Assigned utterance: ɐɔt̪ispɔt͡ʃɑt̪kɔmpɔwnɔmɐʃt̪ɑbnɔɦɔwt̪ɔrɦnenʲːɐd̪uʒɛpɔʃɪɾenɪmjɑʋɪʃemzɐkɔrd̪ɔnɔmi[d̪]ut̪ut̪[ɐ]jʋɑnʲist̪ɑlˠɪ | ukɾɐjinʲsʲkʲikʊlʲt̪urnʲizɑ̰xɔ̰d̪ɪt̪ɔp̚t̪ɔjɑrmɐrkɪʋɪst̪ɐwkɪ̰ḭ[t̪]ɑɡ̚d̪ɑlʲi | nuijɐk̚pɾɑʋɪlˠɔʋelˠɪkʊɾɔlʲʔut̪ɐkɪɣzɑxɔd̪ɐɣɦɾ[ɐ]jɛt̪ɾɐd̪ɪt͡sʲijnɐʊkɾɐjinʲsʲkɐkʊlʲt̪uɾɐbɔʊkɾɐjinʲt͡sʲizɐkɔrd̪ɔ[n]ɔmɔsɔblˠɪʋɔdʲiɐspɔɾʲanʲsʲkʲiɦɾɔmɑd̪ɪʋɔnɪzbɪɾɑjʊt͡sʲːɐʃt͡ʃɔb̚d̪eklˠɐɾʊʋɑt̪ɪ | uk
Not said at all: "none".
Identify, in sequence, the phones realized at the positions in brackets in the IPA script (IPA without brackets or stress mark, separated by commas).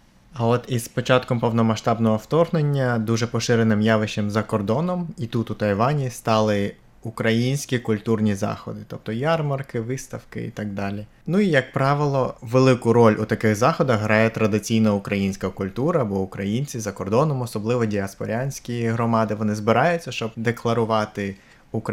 t̪, ɐ, t̪, ɑ, n